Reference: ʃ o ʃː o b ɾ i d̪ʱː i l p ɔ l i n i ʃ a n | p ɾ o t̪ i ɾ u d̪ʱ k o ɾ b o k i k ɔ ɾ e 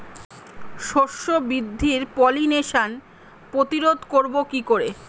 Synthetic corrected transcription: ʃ o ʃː o b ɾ i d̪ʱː i ɾ p ɔ l i n e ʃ a n | p ɾ o t̪ i ɾ o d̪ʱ k o ɾ b o k i k o ɾ e